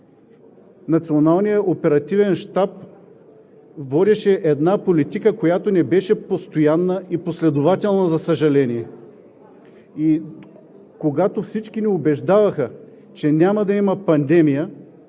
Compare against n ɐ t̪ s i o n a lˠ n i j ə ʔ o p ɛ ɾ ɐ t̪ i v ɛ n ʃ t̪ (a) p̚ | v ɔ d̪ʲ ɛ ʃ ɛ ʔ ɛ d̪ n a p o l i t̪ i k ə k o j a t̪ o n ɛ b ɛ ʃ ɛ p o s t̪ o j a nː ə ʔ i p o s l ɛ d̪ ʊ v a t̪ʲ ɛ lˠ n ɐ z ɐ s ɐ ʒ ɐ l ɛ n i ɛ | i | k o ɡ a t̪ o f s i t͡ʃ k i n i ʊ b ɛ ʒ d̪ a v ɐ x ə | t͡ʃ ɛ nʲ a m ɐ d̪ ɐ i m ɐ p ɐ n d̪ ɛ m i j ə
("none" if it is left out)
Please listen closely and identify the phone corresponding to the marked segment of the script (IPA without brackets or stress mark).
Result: a